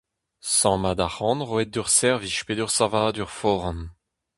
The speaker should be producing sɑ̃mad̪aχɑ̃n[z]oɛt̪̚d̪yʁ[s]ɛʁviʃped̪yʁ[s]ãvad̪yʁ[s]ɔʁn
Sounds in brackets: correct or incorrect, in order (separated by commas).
incorrect, correct, correct, incorrect